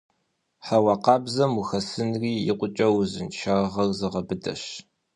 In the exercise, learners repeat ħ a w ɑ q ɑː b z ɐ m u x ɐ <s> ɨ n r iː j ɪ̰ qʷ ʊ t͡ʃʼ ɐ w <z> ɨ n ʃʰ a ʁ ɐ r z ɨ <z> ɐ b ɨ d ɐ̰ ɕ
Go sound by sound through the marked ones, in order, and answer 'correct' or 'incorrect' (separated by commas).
correct, correct, incorrect